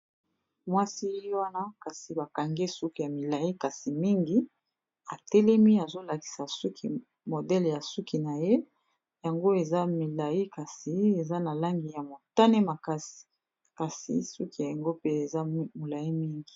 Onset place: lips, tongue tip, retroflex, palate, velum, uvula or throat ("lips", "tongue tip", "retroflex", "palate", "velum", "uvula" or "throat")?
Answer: lips